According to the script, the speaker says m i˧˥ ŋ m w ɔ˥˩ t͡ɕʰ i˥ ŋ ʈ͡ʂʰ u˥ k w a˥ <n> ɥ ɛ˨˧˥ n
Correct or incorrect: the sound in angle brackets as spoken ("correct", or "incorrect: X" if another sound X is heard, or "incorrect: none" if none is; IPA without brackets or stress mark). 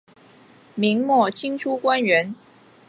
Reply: correct